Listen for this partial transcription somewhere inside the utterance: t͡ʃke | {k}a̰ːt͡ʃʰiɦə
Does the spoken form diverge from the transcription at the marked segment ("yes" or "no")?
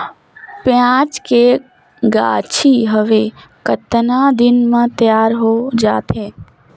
yes